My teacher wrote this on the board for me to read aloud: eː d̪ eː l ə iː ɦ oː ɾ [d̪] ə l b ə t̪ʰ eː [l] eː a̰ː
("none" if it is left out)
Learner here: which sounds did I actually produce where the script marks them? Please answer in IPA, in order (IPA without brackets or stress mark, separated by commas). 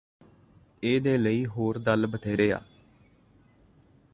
d̪, ɾ